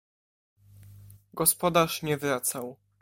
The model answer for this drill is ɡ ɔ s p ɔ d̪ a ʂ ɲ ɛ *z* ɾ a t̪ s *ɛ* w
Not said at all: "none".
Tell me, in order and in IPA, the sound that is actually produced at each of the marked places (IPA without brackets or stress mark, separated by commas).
v, a